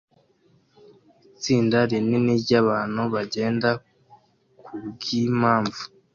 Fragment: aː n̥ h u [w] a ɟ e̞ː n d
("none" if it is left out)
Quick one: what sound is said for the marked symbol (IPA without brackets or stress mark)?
β